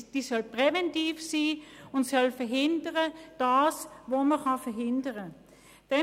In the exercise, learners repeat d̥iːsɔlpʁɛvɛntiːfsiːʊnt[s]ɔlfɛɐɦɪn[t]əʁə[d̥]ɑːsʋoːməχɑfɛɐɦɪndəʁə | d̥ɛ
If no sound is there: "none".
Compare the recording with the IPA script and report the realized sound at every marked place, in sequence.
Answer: s, d, d̥

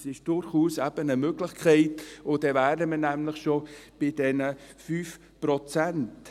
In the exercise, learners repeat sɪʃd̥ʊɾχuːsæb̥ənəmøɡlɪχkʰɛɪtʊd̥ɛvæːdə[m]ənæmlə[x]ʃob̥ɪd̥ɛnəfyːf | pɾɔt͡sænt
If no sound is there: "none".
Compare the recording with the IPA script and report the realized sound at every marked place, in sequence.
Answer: m, χ

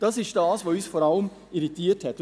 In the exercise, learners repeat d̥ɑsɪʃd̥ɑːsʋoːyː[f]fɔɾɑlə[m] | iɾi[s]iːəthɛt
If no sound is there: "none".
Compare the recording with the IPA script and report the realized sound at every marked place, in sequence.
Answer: s, m, t

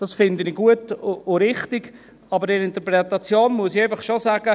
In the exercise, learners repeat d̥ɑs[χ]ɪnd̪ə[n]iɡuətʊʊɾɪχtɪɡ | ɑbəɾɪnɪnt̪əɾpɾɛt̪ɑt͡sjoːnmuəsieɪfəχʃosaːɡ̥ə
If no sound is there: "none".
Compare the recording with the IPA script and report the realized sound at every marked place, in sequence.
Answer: f, n

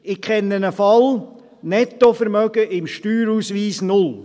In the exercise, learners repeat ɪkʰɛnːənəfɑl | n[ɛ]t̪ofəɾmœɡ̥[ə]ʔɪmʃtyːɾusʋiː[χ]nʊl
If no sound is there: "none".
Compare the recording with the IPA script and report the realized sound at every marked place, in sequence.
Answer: ɛ, ə, s

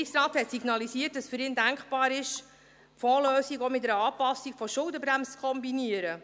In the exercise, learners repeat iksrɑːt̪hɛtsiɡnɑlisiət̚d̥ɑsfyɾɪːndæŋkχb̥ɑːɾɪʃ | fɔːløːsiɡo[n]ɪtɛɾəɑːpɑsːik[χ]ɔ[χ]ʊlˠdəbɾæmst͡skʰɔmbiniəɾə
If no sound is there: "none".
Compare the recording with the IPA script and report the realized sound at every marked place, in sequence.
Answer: m, f, ʃ

